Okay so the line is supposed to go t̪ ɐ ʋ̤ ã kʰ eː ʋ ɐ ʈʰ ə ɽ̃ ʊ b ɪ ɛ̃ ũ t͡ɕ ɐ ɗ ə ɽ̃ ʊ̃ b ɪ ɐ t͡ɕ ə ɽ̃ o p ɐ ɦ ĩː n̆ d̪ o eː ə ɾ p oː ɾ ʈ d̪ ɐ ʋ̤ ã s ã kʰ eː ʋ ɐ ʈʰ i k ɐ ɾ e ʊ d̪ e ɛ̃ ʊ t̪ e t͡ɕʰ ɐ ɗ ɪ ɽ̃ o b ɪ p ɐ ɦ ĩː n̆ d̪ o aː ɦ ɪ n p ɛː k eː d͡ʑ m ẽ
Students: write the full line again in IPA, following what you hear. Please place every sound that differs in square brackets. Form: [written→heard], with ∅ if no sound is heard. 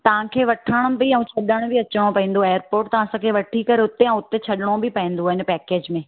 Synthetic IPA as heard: t̪ ɐ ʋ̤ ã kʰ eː ʋ ɐ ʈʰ ə ɽ̃ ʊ b ɪ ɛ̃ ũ [t͡ɕ→t͡ɕʰ] ɐ ɗ ə ɽ̃ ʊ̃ b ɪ ɐ t͡ɕ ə ɽ̃ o p ɐ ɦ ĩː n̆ d̪ o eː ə ɾ p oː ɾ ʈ [d̪→t̪] ɐ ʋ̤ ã s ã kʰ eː ʋ ɐ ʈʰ i k ɐ ɾ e ʊ [d̪→t̪] e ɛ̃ ʊ t̪ e t͡ɕʰ ɐ ɗ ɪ ɽ̃ o b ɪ p ɐ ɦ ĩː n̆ d̪ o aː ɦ ɪ n p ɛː k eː d͡ʑ m ẽ

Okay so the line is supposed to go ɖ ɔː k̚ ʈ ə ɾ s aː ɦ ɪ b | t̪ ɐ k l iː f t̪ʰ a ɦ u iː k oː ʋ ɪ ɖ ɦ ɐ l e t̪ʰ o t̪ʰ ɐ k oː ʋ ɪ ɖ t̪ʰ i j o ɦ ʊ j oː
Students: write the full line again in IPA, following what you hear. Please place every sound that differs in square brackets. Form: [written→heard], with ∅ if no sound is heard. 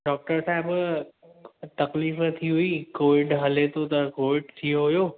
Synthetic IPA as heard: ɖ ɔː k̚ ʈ ə ɾ s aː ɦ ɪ b | t̪ ɐ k l iː f t̪ʰ [a→i] ɦ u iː k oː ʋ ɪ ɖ ɦ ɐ l e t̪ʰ o [t̪ʰ→t̪] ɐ k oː ʋ ɪ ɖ t̪ʰ i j o ɦ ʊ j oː

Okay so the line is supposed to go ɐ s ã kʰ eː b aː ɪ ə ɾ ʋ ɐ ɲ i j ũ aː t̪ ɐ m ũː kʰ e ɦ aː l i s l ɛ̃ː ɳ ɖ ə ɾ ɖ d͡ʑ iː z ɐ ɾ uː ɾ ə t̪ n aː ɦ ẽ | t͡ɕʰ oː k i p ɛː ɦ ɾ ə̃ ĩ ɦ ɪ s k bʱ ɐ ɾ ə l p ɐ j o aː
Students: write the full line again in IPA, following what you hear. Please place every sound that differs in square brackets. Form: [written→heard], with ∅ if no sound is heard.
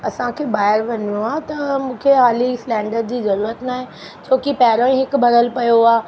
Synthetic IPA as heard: ɐ s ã kʰ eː b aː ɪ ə ɾ ʋ ɐ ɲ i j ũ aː t̪ ɐ m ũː kʰ e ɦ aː l i s l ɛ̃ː ɳ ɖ ə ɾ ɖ d͡ʑ iː z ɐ ɾ uː ɾ ə t̪ n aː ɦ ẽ | t͡ɕʰ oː k i p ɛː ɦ ɾ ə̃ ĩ ɦ ɪ [s→∅] k bʱ ɐ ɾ ə l p ɐ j o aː

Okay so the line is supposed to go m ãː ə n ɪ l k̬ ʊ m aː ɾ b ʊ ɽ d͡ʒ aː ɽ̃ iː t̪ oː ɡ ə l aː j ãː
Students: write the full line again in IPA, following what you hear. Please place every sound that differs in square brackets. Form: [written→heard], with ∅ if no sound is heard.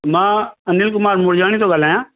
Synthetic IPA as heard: m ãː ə n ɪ l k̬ ʊ m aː ɾ [b→m] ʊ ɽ d͡ʒ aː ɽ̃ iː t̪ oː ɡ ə l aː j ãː

